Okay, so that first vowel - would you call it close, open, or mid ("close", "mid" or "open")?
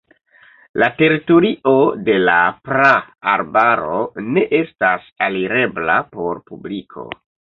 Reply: open